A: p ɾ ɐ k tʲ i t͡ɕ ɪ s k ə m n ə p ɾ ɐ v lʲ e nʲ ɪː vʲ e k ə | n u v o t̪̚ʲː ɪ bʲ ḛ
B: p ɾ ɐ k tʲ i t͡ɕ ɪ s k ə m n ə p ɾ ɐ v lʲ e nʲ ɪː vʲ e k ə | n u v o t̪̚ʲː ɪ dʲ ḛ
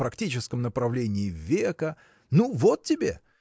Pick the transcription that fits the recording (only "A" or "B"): A